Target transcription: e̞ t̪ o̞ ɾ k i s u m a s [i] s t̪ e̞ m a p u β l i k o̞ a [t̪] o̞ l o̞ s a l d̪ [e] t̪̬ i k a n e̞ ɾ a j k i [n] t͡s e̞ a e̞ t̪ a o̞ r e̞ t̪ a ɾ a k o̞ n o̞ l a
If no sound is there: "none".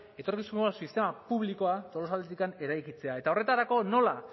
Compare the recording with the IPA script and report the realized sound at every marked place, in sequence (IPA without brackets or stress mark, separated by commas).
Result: i, t̪, e, none